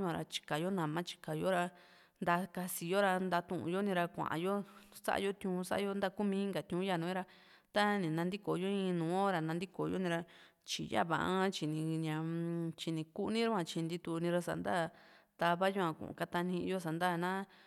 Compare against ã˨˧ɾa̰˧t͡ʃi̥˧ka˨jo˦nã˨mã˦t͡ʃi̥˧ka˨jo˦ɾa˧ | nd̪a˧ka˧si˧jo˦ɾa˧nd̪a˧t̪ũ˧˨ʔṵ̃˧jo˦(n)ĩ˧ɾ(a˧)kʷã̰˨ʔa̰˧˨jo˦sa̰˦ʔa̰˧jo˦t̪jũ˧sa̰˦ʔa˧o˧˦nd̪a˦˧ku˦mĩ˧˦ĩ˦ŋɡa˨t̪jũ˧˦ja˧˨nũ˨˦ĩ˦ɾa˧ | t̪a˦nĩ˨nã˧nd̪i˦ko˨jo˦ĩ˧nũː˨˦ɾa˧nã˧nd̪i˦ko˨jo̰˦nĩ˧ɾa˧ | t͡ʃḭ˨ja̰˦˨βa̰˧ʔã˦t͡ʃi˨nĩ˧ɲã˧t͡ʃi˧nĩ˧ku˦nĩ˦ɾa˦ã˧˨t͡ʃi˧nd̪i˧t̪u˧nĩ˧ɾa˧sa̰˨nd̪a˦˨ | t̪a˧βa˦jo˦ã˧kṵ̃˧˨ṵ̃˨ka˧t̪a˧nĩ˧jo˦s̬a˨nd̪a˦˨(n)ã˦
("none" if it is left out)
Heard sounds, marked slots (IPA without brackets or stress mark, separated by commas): n, a˧, n